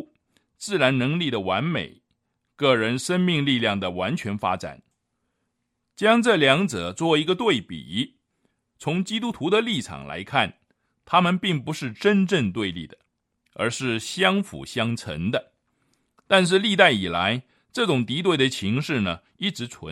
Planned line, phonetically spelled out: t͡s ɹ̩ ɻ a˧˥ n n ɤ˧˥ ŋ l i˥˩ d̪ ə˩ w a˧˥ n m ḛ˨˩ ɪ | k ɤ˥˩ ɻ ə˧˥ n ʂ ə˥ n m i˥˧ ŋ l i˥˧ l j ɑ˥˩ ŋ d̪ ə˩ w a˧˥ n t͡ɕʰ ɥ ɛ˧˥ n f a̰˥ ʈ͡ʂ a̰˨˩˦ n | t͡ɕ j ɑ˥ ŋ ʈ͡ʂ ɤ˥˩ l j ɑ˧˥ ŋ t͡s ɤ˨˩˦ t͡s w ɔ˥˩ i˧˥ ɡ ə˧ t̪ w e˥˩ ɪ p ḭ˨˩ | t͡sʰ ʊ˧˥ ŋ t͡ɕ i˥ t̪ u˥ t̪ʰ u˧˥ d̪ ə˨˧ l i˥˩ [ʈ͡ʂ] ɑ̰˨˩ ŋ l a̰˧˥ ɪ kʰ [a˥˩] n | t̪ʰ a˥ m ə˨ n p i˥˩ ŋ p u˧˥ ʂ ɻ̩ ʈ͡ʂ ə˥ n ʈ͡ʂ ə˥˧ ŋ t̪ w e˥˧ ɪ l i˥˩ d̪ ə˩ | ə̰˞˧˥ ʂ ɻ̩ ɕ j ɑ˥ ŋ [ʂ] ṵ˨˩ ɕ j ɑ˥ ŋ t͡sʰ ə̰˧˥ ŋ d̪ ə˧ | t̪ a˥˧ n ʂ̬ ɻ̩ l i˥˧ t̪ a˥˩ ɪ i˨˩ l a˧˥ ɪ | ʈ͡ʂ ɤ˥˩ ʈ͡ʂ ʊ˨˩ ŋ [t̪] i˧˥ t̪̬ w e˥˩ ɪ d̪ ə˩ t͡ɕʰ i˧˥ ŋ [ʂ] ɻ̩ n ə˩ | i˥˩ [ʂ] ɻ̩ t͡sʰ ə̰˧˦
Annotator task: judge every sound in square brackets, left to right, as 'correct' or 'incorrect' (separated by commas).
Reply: incorrect, correct, incorrect, correct, correct, incorrect